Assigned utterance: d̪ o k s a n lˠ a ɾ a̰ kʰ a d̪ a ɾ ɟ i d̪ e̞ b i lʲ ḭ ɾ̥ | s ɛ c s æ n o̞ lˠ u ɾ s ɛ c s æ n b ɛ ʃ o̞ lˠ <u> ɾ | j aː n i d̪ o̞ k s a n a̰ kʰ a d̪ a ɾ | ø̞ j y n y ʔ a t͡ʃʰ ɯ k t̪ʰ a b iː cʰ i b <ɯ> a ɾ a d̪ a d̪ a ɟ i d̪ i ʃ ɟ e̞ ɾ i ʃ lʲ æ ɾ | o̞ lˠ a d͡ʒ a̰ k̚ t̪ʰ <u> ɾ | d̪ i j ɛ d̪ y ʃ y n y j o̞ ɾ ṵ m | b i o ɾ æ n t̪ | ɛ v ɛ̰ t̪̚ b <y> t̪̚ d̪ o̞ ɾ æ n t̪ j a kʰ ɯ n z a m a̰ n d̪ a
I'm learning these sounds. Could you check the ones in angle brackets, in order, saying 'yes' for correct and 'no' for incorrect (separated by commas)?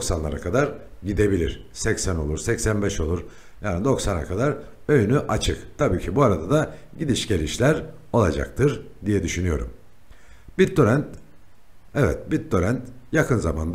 yes, no, no, no